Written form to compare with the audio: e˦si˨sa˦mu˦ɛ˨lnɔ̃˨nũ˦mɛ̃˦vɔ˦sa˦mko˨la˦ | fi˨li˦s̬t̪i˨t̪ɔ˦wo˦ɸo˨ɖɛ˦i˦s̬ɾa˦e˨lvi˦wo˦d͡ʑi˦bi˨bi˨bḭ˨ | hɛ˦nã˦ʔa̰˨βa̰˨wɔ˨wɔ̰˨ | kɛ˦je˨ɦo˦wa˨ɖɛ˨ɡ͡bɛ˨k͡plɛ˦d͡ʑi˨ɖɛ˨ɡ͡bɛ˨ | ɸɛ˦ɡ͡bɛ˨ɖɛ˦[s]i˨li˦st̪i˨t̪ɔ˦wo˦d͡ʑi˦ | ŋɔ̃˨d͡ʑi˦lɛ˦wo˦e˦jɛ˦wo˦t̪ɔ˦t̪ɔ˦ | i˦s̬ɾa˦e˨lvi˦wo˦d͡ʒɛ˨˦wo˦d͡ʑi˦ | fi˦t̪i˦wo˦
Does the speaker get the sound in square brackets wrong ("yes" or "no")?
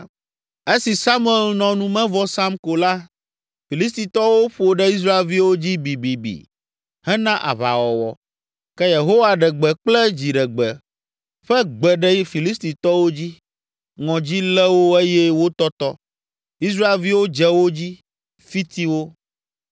yes